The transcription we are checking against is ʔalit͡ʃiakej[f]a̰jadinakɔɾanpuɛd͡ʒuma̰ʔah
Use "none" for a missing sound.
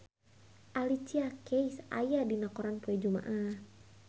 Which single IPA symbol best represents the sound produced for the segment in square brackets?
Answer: s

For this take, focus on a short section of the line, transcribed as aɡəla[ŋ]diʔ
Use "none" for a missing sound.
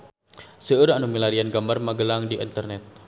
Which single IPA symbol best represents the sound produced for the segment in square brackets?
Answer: ŋ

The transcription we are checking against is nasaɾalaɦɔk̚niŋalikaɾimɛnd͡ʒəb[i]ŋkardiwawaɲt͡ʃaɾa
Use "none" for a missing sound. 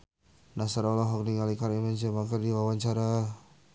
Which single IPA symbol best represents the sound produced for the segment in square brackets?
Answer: a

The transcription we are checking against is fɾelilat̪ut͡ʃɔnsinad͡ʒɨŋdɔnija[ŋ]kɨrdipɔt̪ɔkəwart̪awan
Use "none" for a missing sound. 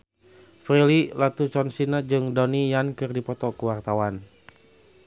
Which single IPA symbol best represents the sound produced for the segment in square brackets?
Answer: n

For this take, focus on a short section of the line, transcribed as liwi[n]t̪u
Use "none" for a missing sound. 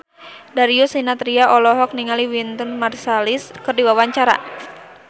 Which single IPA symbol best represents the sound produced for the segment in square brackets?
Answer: n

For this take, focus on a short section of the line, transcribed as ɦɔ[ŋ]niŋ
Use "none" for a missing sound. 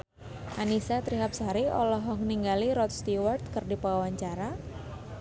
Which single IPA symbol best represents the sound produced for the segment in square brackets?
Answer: ŋ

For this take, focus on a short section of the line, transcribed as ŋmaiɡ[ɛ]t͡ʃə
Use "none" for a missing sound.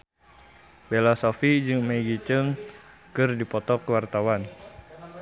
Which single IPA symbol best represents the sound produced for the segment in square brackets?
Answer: i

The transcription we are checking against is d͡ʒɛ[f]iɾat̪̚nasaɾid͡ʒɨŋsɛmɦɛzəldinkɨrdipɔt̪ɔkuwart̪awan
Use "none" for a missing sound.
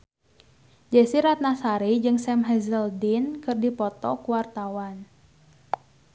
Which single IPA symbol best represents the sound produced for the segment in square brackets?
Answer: s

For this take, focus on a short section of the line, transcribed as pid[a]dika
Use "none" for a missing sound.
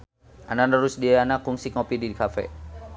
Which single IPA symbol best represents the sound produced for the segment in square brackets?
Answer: i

